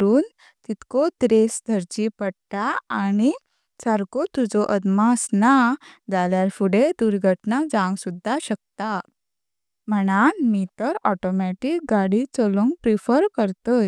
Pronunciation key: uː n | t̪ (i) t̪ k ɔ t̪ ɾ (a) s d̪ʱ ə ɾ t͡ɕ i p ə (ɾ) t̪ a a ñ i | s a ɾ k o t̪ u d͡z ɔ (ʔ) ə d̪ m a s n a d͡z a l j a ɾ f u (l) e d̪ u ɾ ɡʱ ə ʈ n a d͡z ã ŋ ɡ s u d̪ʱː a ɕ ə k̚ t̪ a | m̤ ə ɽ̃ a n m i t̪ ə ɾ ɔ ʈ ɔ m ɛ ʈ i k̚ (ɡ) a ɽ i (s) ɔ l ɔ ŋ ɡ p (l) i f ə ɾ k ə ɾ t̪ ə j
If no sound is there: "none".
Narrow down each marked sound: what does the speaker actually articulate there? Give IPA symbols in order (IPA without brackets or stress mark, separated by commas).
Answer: i, e, ɽ, ʔ, ɽ, ɡ, t͡s, ɾ